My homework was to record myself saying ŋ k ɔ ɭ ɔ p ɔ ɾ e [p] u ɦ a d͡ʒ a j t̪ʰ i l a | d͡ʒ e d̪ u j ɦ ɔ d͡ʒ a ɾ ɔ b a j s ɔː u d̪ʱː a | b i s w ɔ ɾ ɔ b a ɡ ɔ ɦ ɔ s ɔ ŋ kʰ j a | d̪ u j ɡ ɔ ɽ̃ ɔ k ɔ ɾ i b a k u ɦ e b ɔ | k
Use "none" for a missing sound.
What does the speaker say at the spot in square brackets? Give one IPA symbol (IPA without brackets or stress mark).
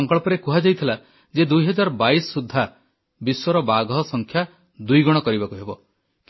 k